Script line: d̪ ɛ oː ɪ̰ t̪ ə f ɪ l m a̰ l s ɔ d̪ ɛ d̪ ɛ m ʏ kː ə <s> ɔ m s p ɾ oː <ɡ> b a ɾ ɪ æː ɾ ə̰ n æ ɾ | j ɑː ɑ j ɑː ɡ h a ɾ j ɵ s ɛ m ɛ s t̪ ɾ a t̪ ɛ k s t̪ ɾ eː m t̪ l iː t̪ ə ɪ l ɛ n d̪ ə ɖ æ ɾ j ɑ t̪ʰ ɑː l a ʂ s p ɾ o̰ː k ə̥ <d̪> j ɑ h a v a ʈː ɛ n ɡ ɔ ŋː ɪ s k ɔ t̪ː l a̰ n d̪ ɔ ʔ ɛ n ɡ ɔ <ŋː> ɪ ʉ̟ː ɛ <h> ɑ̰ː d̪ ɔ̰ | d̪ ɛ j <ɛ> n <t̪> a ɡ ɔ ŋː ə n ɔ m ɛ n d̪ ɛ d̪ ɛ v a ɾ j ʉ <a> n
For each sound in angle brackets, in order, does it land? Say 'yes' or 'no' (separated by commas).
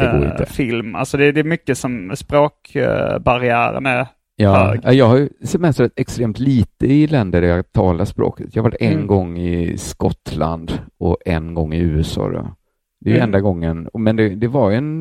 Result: yes, no, no, yes, no, yes, no, no